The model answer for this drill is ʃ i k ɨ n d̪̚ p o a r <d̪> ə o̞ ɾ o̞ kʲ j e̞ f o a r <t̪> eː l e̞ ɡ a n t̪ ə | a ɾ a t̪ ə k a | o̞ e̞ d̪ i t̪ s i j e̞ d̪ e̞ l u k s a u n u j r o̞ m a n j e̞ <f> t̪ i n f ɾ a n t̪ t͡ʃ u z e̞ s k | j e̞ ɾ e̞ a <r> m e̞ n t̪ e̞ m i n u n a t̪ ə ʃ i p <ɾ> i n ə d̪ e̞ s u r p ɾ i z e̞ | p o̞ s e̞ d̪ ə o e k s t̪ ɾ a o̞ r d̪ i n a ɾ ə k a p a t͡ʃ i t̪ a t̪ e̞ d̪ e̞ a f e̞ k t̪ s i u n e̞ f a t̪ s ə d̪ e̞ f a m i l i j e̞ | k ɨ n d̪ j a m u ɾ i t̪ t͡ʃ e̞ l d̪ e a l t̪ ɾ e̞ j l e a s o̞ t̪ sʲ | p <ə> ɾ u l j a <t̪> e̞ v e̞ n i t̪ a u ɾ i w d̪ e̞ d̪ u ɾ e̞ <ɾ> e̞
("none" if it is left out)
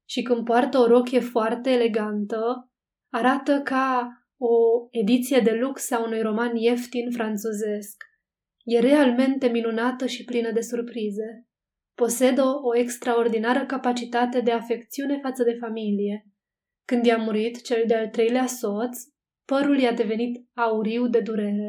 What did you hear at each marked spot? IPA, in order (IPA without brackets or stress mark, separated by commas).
t̪, t̪, f, l, l, ə, d̪, ɾ